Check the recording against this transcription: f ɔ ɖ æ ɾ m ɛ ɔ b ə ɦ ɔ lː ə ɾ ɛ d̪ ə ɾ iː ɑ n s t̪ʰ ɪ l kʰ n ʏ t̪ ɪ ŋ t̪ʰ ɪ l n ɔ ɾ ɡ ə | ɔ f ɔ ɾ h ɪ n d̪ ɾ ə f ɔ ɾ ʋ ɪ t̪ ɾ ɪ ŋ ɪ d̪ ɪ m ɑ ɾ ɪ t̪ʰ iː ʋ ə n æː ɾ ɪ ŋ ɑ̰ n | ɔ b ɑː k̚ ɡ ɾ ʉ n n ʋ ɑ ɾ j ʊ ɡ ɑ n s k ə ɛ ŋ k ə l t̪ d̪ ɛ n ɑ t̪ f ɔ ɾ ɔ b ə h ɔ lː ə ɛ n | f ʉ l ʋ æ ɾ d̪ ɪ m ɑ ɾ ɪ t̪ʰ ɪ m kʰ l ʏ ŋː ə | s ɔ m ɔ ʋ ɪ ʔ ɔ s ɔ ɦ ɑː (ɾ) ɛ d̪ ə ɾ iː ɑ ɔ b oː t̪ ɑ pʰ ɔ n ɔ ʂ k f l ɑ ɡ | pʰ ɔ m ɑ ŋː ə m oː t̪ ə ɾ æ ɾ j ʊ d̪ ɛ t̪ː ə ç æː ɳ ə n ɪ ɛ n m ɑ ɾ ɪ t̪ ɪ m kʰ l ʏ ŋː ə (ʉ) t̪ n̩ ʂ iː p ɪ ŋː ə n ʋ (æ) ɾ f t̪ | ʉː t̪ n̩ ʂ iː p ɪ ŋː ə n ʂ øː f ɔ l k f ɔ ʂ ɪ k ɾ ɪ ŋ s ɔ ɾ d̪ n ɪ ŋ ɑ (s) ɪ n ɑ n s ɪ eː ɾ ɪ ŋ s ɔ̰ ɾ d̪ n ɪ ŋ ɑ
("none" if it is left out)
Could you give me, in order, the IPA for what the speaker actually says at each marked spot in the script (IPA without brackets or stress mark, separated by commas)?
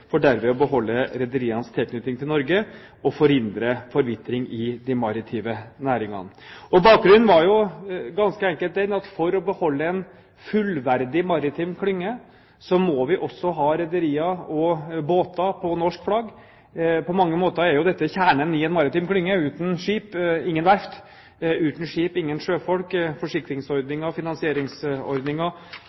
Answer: ɾ, ʉː, æ, f